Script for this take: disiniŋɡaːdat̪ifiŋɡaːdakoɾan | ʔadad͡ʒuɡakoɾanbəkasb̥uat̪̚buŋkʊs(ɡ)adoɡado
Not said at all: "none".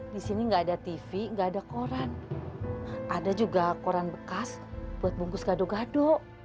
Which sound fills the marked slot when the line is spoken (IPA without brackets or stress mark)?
ɡ